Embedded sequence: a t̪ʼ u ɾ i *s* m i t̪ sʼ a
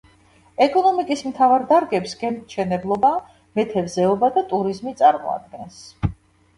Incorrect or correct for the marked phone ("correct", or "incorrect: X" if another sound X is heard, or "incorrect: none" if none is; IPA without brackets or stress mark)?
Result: incorrect: z